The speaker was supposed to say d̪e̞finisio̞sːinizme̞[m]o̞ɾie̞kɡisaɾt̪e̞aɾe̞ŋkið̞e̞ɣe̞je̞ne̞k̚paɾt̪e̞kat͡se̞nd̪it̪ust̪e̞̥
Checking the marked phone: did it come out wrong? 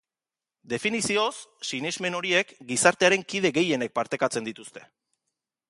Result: yes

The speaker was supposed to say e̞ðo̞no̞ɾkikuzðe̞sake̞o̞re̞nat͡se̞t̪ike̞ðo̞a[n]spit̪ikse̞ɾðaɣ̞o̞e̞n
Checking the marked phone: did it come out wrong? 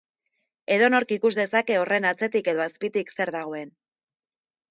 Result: yes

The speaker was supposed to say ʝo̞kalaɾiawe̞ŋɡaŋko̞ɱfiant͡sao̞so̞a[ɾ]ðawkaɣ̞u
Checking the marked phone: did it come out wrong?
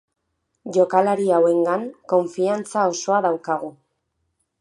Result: yes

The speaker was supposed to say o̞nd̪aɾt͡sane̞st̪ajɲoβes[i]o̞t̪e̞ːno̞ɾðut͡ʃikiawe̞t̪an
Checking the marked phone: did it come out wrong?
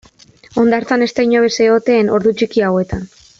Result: yes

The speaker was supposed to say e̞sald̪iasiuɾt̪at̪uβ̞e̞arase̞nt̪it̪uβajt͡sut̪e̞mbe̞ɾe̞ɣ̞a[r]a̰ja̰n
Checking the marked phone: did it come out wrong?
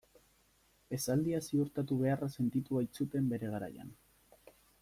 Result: yes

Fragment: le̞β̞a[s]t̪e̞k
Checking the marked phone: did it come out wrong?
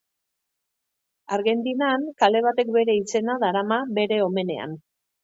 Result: yes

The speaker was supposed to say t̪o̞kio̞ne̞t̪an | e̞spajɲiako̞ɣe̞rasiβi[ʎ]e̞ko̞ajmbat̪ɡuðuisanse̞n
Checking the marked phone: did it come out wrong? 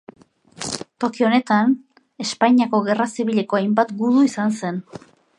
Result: no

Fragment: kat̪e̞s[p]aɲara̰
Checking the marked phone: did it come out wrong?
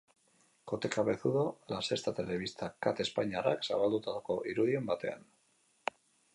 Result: no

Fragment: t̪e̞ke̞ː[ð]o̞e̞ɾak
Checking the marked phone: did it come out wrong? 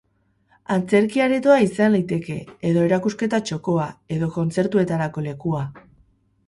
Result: no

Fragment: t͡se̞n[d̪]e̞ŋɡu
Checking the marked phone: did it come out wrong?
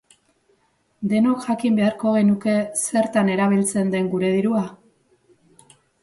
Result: no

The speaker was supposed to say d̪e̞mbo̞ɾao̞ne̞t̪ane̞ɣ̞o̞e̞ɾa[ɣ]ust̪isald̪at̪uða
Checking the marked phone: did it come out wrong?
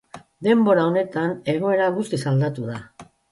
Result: no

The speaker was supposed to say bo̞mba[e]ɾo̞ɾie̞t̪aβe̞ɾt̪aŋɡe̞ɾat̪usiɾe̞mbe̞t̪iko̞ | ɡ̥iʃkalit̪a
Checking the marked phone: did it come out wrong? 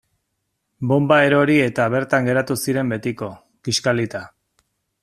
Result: no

